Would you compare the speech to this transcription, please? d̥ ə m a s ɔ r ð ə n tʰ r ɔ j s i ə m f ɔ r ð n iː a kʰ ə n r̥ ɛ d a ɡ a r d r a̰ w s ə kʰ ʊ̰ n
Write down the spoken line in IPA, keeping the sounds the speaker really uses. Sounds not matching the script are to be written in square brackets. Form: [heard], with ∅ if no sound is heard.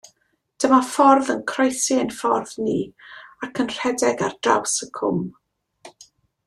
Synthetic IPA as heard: d̥ ə m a [f] ɔ r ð ə n [kʰ] r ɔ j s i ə [n] f ɔ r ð n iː a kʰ ə n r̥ ɛ d [ɛ] ɡ a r d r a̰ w s ə kʰ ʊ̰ [m]